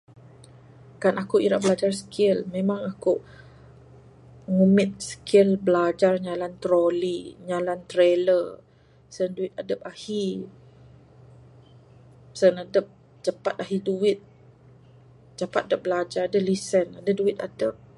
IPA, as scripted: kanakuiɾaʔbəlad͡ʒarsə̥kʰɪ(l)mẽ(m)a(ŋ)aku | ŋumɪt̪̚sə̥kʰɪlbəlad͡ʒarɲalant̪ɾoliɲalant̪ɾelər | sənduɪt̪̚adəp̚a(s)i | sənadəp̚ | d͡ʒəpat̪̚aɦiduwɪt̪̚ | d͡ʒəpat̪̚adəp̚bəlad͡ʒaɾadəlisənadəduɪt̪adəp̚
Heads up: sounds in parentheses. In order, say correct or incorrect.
correct, correct, correct, incorrect: h

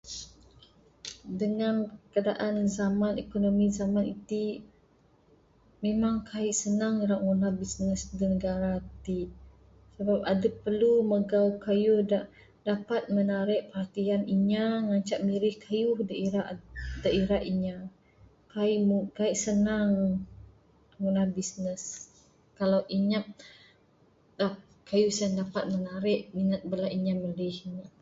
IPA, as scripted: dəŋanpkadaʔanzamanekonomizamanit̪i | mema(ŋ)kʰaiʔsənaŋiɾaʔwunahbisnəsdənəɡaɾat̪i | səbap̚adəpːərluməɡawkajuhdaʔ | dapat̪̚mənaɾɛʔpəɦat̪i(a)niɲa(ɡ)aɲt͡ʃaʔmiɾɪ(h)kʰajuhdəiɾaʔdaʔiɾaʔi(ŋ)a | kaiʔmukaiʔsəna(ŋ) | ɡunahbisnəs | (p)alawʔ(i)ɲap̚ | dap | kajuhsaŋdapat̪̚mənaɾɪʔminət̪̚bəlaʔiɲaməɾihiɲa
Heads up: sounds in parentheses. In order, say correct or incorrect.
correct, correct, incorrect: ŋ, correct, incorrect: ɲ, correct, incorrect: k, correct

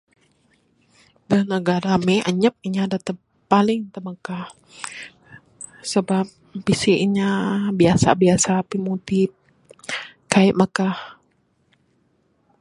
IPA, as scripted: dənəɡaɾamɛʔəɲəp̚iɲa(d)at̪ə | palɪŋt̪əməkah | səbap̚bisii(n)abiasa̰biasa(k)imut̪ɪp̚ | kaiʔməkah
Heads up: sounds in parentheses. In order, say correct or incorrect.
correct, incorrect: ɲ, incorrect: p

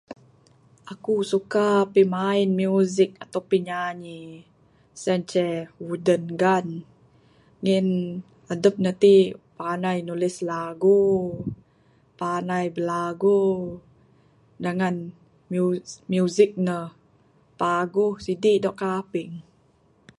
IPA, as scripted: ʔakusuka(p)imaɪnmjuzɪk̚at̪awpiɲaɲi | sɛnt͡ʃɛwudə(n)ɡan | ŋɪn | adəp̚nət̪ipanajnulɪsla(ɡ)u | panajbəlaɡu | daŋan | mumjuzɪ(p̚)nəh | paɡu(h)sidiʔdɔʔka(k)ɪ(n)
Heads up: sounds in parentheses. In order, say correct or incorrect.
correct, correct, correct, incorrect: k̚, correct, incorrect: p, incorrect: ŋ

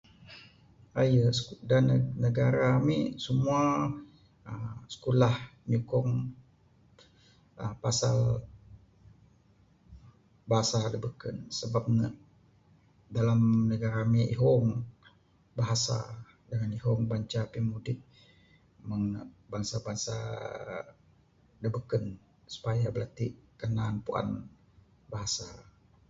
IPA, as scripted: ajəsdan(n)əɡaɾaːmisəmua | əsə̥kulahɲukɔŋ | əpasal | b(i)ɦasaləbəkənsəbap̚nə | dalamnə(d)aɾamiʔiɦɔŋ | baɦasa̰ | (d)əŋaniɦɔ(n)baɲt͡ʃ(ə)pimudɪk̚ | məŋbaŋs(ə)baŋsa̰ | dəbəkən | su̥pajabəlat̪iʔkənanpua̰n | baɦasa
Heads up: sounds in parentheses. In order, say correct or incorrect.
correct, incorrect: a, incorrect: ɡ, correct, incorrect: ŋ, incorrect: a, incorrect: a

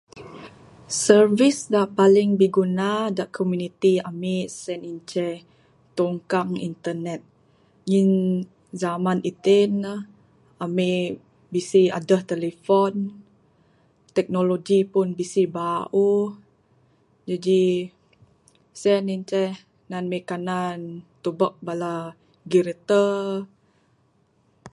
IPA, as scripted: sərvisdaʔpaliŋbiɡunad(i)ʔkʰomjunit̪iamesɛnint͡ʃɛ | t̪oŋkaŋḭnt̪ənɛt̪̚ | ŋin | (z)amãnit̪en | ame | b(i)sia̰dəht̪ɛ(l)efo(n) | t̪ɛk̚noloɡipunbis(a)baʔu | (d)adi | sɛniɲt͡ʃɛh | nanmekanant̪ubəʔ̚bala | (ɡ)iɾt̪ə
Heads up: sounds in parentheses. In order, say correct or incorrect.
incorrect: a, correct, correct, correct, correct, incorrect: i, incorrect: d͡ʒ, correct

